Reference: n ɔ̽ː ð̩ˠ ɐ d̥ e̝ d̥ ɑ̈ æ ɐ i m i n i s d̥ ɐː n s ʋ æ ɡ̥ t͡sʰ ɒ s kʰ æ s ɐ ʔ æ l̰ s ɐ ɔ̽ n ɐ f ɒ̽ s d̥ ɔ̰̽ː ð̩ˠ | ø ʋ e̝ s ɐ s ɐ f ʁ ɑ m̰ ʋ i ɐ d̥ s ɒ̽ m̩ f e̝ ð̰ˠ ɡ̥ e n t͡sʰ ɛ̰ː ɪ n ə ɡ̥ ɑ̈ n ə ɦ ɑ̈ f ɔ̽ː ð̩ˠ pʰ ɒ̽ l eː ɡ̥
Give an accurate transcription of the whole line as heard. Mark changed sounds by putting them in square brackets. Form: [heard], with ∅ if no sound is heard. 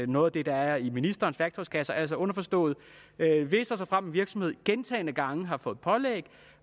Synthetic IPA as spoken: n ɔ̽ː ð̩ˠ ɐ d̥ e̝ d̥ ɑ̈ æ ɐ i m i n i s d̥ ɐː n s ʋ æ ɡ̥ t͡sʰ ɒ s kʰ æ s ɐ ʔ æ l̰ s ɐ ɔ̽ n ɐ f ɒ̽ s d̥ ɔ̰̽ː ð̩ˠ | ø ʋ e̝ s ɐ s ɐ f ʁ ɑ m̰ ʋ i ɐ [ɡ̥] s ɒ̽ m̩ [h] e̝ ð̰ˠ ɡ̥ e n t͡sʰ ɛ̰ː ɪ n ə ɡ̥ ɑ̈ [ŋ] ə ɦ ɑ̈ f ɔ̽ː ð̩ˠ pʰ ɒ̽ l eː ɡ̥

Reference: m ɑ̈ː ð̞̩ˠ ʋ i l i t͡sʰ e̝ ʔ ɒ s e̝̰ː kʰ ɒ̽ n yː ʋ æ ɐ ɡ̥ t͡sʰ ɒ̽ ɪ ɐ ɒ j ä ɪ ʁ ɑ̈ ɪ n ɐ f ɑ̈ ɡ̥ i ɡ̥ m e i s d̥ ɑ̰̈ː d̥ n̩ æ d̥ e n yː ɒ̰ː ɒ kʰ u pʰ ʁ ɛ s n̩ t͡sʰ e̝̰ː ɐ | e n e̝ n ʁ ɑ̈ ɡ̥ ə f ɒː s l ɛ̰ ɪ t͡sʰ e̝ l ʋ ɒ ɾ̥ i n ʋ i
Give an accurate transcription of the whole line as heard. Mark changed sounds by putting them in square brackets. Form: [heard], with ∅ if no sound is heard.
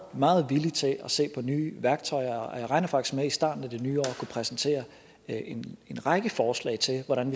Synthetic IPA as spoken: m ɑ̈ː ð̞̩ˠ ʋ i l i t͡sʰ e̝ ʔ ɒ s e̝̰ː [pʰ] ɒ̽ n yː ʋ æ ɐ ɡ̥ t͡sʰ ɒ̽ ɪ ɐ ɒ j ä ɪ ʁ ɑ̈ ɪ n ɐ f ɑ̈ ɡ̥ i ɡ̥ m e i s d̥ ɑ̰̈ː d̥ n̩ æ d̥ e n yː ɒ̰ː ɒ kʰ u pʰ ʁ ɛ s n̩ t͡sʰ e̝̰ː ɐ | e n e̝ n ʁ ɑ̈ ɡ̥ ə f ɒː s l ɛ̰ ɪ t͡sʰ e̝ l ʋ ɒ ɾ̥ [æ] n ʋ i

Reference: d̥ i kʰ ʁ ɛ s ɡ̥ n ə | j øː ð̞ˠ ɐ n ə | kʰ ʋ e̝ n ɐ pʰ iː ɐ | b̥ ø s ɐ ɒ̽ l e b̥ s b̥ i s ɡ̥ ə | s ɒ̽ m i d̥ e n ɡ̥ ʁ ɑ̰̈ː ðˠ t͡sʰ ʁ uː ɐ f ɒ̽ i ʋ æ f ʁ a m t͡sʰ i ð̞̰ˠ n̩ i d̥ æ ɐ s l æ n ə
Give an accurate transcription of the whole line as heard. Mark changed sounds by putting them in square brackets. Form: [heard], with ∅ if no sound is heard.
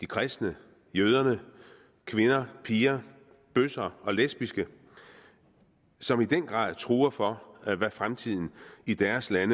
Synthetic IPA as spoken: d̥ i kʰ ʁ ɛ s [d̥] n ə | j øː ð̞ˠ ɐ n ə | kʰ ʋ e̝ n ɐ pʰ iː ɐ | b̥ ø s ɐ ɒ̽ l e [∅] s b̥ i s ɡ̥ ə | s ɒ̽ m i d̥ e n ɡ̥ ʁ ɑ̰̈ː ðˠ t͡sʰ ʁ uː ɐ f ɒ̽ [æ] ʋ æ f ʁ a m t͡sʰ i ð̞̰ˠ n̩ i d̥ æ ɐ s l æ n ə

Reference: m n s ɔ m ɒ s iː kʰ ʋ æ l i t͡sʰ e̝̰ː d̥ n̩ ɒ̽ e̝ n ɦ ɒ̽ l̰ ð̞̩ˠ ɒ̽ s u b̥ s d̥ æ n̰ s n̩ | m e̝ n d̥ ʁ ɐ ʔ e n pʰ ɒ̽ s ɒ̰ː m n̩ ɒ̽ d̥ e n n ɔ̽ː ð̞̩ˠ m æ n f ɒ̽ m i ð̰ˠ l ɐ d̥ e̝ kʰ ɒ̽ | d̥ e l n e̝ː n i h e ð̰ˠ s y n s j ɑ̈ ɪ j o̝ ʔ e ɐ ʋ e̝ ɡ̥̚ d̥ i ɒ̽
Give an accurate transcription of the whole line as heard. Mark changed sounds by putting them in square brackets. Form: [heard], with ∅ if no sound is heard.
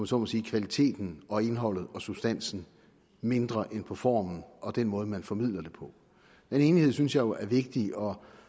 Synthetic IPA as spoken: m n s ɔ m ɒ s iː kʰ ʋ æ l i t͡sʰ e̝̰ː d̥ n̩ ɒ̽ e̝ n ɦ ɒ̽ l̰ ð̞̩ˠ ɒ̽ s u b̥ s d̥ æ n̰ s n̩ | m e̝ n d̥ ʁ ɐ ʔ e n pʰ ɒ̽ [f] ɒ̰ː m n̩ ɒ̽ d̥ e n [m] ɔ̽ː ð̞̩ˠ m æ n f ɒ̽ m i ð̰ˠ l ɐ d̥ e̝ [pʰ] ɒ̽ | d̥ e [∅] n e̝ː n i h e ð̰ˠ s y n s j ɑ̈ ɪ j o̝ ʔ [æ] ɐ ʋ e̝ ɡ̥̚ d̥ i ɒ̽

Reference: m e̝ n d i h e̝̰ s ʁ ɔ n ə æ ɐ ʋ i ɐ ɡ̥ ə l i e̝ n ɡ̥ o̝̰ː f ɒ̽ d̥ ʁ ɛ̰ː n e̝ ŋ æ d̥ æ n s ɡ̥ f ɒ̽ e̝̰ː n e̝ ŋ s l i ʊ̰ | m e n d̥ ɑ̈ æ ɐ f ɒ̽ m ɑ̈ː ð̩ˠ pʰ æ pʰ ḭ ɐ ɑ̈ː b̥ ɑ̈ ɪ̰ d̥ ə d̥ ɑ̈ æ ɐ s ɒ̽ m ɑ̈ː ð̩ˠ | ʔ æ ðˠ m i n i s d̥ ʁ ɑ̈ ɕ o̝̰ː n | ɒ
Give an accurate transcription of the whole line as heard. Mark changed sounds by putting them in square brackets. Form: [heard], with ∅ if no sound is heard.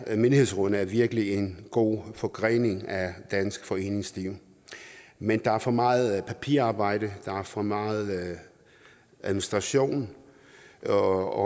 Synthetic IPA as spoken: m e̝ n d i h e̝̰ s ʁ ɔ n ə æ ɐ ʋ i ɐ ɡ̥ ə l i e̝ n ɡ̥ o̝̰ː f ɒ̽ [ɡ̥] ʁ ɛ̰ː n e̝ ŋ æ d̥ æ n s ɡ̥ f ɒ̽ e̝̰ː n e̝ ŋ s l i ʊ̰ | m e n d̥ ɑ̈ æ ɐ f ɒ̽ m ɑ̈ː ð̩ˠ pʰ æ pʰ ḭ ɐ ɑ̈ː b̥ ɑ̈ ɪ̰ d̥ ə d̥ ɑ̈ æ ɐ [f] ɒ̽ m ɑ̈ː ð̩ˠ | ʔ æ ðˠ m i n i s d̥ ʁ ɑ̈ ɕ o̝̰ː n | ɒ

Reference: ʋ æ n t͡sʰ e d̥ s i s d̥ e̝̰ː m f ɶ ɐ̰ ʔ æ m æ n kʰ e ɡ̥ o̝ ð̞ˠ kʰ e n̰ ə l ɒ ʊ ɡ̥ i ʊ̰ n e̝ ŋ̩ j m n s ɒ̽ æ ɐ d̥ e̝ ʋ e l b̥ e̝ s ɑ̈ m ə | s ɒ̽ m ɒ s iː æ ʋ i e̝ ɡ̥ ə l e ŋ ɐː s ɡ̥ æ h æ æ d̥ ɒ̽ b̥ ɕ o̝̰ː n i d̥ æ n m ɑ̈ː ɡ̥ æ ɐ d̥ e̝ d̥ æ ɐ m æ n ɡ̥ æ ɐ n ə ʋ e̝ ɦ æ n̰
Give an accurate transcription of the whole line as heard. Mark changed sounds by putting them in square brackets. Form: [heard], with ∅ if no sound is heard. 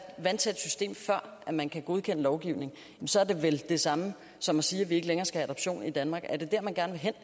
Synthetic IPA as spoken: ʋ æ n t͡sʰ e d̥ s [y] s d̥ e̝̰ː m f ɶ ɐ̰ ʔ æ m æ n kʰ [æ] ɡ̥ o̝ ð̞ˠ kʰ e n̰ ə l ɒ ʊ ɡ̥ i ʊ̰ n e̝ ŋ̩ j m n s ɒ̽ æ ɐ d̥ e̝ ʋ e l [d̥] e̝ s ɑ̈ m ə | s ɒ̽ m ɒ s iː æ ʋ i e̝ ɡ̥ ə l e ŋ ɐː s ɡ̥ æ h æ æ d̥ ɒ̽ b̥ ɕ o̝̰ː n i d̥ æ n m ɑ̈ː ɡ̥ æ ɐ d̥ e̝ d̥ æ ɐ m æ n ɡ̥ æ ɐ n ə ʋ e̝ ɦ [e] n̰

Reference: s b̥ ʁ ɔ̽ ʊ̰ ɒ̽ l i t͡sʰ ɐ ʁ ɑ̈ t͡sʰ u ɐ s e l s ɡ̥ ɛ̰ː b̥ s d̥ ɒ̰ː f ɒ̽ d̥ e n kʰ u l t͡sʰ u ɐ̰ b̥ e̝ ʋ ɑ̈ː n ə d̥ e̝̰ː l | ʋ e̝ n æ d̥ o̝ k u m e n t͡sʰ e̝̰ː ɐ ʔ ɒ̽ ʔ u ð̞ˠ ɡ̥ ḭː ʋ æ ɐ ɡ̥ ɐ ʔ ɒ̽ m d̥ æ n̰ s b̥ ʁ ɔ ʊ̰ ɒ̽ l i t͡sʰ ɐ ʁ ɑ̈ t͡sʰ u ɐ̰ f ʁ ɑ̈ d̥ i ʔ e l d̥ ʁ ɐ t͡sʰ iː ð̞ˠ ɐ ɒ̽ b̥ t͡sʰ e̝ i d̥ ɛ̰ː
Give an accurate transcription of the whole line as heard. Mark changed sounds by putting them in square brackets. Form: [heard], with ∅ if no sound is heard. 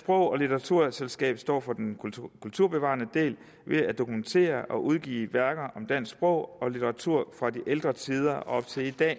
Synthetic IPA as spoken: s b̥ ʁ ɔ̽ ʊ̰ ɒ̽ l i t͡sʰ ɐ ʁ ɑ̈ t͡sʰ u ɐ s e l s ɡ̥ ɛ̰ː b̥ s d̥ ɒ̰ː f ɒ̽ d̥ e n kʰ u l t͡sʰ u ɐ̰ b̥ e̝ ʋ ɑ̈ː n ə d̥ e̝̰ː l | ʋ e̝ [∅] æ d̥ o̝ k u m e n t͡sʰ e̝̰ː ɐ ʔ ɒ̽ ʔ u ð̞ˠ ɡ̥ ḭː ʋ æ ɐ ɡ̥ ɐ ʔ ɒ̽ m d̥ æ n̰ s b̥ ʁ ɔ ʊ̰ ɒ̽ l i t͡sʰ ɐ ʁ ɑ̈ t͡sʰ u ɐ̰ f ʁ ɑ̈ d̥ i ʔ e l d̥ ʁ ɐ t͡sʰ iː ð̞ˠ ɐ ɒ̽ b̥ t͡sʰ e̝ i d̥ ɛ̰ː

